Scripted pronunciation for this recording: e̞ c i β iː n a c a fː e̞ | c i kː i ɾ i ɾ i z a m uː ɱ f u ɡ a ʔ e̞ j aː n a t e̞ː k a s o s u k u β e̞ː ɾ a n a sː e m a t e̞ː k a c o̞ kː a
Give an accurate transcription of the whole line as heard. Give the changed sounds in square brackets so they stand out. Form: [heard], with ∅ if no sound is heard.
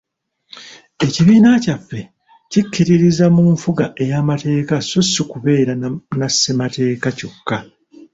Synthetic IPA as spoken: e̞ c i β iː n a c a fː e̞ | c i kː i ɾ i ɾ i z a m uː ɱ f u ɡ a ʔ e̞ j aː [m] a t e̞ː k a s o s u k u β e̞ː ɾ a n a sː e m a t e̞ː k a c o̞ kː a